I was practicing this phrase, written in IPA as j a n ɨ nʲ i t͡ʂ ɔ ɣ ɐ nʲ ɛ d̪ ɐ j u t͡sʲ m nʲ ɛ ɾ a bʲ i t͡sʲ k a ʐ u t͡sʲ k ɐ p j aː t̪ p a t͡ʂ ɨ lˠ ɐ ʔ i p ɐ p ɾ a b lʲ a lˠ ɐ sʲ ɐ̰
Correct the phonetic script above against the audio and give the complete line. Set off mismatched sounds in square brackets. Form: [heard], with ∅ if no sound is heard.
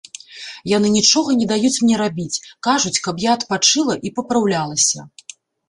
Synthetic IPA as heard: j a n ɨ nʲ i t͡ʂ ɔ ɣ ɐ nʲ ɛ d̪ [a] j u t͡sʲ m nʲ ɛ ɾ a bʲ i t͡sʲ k a ʐ u t͡sʲ k ɐ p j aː t̪ p a t͡ʂ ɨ lˠ ɐ ʔ i p ɐ p ɾ a [w] lʲ a lˠ ɐ sʲ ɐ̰